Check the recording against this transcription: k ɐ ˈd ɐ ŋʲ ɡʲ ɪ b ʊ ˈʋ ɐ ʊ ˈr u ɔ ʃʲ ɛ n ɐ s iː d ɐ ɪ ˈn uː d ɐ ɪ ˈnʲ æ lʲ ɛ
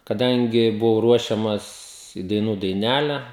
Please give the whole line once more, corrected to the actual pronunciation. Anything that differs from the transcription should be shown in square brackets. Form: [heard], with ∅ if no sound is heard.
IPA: k ɐ ˈd ɐ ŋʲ ɡʲ ɪ b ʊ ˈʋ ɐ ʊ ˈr u ɔ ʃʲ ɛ [m] ɐ s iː d ɐ ɪ ˈn uː d ɐ ɪ ˈnʲ æ lʲ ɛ